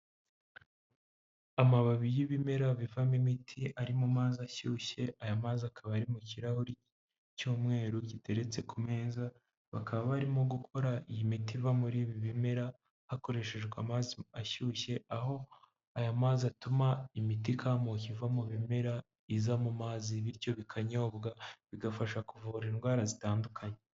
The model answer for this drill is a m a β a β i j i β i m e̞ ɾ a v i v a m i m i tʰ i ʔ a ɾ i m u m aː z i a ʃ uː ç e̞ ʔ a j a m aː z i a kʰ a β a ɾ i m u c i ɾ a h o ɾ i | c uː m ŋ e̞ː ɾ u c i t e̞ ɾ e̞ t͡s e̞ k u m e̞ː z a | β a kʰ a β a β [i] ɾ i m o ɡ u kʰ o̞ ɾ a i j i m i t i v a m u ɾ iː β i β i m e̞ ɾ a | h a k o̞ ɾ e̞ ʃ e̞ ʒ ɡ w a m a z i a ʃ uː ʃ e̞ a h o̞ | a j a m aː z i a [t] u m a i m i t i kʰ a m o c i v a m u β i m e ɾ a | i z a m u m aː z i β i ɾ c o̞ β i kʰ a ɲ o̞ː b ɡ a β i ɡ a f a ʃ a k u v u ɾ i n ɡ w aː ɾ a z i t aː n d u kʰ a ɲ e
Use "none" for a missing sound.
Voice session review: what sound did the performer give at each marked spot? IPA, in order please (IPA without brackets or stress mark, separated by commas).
a, t